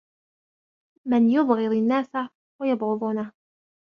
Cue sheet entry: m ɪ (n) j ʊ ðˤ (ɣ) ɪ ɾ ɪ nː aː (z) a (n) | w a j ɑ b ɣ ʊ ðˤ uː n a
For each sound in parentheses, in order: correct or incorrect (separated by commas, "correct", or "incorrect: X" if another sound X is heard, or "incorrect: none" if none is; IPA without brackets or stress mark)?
correct, correct, incorrect: s, incorrect: none